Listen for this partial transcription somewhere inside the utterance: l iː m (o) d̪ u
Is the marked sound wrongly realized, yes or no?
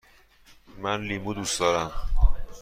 yes